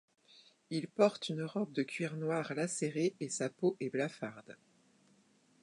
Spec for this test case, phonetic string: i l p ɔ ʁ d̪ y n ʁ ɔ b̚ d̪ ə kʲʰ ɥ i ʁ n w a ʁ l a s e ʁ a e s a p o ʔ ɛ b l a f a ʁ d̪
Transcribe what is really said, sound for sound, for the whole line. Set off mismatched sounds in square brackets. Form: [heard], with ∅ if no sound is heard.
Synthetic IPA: i l p ɔ ʁ [t̪] y n ʁ ɔ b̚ d̪ ə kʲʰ ɥ i ʁ n w a ʁ l a s e ʁ [e] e s a p o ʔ ɛ b l a f a ʁ d̪